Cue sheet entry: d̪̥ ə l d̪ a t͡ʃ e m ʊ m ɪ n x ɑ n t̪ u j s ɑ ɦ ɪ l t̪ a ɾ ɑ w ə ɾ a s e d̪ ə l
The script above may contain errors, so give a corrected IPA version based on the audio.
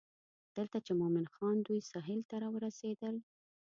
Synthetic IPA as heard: d̪̥ ə l t̪ a t͡ʃ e m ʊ m ɪ n x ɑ n d̪ u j s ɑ ɦ ɪ l t̪ a ɾ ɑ w ə ɾ a s e d̪ ə l